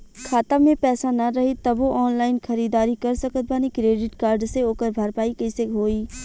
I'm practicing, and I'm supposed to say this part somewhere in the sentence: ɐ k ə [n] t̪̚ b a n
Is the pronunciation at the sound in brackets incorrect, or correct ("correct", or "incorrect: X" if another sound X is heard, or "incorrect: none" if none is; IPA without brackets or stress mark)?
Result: incorrect: none